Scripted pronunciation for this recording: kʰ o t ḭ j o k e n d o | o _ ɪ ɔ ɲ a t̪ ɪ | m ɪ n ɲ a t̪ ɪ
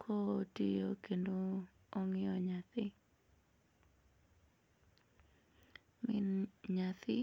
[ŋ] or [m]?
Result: ŋ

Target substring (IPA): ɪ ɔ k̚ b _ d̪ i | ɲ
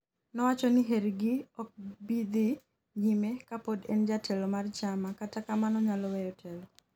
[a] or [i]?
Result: i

